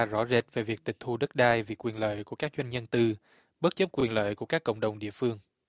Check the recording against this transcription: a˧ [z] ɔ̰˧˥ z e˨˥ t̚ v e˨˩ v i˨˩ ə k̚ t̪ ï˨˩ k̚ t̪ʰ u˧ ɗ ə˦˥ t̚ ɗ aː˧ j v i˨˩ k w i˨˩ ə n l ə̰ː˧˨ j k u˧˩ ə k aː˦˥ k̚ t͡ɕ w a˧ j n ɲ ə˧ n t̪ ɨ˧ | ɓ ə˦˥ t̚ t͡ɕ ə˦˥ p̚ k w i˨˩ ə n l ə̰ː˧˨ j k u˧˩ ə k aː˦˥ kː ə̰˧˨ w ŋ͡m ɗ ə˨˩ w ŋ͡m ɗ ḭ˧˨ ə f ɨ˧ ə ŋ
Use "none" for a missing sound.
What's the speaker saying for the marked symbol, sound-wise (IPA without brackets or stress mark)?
z